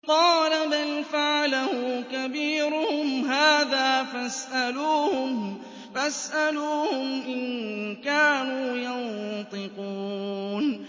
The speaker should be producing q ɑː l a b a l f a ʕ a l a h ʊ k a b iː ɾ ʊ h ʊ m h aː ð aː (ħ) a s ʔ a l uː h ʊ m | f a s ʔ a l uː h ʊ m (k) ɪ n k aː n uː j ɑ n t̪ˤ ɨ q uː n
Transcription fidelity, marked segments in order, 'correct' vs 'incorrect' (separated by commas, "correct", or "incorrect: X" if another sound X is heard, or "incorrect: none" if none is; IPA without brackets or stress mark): incorrect: f, incorrect: ʔ